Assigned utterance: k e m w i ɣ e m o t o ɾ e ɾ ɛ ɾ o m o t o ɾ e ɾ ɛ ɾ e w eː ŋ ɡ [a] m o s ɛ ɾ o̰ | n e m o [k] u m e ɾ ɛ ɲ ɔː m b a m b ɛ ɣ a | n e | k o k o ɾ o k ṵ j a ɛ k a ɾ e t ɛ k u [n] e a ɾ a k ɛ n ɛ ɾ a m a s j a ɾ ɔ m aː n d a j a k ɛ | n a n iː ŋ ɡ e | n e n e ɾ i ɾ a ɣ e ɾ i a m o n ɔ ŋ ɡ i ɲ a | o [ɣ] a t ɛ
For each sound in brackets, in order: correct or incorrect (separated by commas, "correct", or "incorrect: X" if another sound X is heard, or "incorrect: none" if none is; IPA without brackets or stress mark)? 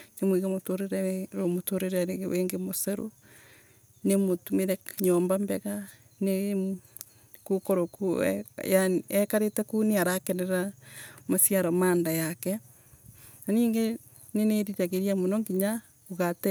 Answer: incorrect: e, incorrect: t, correct, correct